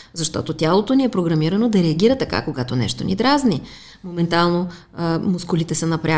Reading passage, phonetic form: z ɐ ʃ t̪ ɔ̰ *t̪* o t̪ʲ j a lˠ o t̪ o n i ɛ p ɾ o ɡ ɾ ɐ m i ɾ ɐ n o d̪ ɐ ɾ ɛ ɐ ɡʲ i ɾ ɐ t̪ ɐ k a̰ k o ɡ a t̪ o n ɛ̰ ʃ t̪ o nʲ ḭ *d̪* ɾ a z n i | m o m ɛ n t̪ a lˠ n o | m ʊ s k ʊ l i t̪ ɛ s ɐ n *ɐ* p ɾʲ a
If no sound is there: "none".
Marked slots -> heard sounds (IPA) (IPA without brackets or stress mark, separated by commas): t̪, d̪, ɐ